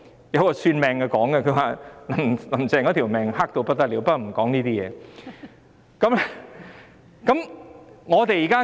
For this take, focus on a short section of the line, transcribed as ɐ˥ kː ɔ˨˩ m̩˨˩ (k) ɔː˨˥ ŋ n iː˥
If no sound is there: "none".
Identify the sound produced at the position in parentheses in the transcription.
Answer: k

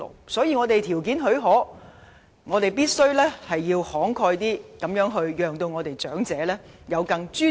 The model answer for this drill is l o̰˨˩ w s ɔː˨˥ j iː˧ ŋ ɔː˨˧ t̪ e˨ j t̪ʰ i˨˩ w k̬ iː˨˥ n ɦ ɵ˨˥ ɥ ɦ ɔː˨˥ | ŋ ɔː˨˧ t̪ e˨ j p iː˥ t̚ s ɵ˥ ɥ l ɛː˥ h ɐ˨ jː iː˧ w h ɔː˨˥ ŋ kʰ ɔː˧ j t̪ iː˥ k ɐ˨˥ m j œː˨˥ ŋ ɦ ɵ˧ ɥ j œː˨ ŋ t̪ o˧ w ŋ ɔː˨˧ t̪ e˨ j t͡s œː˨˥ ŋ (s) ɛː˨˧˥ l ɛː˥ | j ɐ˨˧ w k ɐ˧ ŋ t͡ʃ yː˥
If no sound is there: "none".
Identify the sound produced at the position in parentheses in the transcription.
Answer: t͡s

